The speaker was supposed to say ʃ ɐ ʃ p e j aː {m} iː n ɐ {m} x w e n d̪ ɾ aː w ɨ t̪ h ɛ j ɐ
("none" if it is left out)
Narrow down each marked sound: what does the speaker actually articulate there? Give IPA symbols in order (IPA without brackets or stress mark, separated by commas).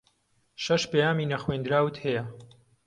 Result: m, none